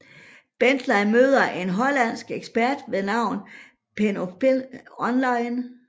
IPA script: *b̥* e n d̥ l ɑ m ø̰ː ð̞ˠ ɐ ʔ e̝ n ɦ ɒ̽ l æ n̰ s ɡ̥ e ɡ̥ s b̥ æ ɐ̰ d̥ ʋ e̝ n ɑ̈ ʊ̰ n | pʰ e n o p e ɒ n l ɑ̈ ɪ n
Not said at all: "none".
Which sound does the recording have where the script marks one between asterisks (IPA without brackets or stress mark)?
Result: b̥